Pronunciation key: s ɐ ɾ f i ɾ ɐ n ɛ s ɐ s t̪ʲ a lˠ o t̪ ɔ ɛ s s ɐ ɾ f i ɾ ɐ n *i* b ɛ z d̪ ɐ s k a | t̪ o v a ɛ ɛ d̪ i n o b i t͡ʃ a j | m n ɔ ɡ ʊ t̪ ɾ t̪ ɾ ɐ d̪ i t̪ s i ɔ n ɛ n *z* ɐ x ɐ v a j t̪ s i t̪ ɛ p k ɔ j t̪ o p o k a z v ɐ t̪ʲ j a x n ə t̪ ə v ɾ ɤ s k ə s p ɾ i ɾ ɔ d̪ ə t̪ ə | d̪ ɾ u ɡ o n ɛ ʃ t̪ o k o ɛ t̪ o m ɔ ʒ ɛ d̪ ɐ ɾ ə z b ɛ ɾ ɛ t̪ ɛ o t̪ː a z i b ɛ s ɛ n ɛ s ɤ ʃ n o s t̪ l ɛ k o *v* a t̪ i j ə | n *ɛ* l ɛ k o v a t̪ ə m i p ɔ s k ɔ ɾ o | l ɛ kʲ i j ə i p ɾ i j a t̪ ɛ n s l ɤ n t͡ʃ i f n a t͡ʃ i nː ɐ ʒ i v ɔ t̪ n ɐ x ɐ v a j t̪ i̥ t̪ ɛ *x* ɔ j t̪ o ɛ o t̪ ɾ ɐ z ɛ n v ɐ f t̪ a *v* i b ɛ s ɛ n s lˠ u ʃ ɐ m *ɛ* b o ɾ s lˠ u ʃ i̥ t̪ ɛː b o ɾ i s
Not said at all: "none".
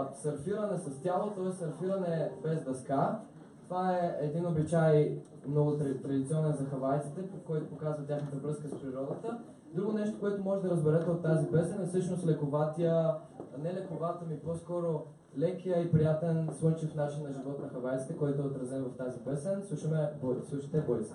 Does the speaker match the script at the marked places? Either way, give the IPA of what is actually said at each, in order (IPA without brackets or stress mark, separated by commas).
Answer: ɛ, z, v, ɛ, k, z, ɛ